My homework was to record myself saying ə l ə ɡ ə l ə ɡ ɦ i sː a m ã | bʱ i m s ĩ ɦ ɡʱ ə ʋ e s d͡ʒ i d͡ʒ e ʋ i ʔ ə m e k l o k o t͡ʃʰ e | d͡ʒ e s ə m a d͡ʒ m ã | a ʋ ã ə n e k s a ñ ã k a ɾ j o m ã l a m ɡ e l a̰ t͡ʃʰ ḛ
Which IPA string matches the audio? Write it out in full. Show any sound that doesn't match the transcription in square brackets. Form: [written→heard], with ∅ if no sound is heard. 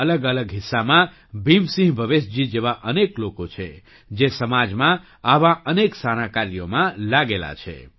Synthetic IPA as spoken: ə l ə ɡ ə l ə ɡ ɦ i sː a m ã | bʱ i m s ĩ ɦ [ɡʱ→bʱ] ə ʋ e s d͡ʒ i d͡ʒ e ʋ [i→a] ʔ ə [m→n] e k l o k o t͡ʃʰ e | d͡ʒ e s ə m a d͡ʒ m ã | a ʋ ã ə n e k s a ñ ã k a ɾ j o m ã l a [m→∅] ɡ e l a̰ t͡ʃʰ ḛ